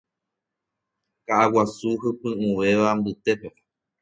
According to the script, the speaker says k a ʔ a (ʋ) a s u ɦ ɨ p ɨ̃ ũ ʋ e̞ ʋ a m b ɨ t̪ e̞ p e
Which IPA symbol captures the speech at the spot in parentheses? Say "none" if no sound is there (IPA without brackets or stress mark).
w